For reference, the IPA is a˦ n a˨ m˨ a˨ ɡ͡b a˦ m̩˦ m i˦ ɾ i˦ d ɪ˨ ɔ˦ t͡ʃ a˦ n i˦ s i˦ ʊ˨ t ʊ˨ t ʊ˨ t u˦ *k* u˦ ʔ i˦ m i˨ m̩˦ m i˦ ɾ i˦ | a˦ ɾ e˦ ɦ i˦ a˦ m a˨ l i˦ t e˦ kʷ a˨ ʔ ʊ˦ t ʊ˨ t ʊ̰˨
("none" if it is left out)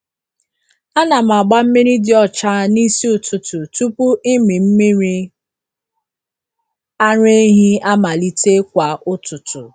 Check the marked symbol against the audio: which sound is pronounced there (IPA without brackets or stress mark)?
p